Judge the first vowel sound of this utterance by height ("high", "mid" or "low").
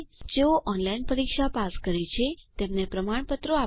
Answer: mid